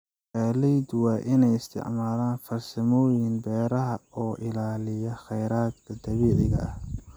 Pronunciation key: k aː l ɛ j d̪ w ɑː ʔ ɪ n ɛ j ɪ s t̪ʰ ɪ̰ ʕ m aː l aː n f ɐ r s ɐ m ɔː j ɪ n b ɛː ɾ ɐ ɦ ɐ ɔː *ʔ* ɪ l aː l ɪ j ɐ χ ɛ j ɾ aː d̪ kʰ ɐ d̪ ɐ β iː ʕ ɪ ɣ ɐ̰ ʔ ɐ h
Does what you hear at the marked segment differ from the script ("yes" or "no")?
no